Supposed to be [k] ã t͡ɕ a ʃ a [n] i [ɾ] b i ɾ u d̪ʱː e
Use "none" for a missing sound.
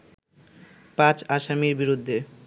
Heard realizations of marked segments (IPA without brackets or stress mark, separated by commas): p, m, ɾ